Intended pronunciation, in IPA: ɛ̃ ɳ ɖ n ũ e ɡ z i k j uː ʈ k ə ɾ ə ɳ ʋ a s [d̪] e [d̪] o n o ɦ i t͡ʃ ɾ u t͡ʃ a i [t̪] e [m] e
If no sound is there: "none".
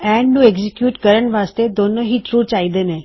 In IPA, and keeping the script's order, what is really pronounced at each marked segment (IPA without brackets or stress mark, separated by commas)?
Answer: t̪, d̪, d̪, n